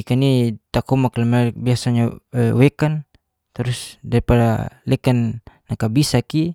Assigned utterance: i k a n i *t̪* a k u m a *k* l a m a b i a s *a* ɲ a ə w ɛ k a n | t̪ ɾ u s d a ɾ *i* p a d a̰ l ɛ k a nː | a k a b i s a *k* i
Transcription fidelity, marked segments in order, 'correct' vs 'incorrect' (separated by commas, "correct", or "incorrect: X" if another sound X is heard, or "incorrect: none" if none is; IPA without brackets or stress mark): correct, correct, correct, correct, correct